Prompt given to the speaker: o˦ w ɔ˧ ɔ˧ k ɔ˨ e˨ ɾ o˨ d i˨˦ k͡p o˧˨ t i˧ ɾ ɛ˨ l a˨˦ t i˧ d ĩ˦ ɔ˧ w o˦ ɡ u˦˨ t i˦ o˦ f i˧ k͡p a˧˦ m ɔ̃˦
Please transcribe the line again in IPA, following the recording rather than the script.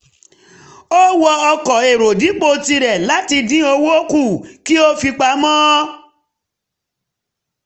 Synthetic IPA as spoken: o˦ w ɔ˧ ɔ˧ k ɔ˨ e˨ ɾ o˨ d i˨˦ k͡p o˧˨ t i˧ ɾ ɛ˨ l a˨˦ t i˧ d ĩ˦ o˧ w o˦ k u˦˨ k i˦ o˦ f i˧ k͡p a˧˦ m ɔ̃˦

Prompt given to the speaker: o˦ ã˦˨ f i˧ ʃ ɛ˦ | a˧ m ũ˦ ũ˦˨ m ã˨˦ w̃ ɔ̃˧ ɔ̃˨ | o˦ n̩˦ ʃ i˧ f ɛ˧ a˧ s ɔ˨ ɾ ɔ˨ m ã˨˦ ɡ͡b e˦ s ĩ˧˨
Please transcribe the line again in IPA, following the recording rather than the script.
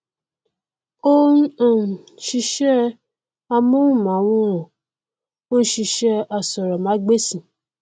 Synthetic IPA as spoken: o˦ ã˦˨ ʃ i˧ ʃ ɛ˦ | a˧ m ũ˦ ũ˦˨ m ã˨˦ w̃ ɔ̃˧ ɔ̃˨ | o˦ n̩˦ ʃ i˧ ʃ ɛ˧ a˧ s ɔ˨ ɾ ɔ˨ m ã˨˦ ɡ͡b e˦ s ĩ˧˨

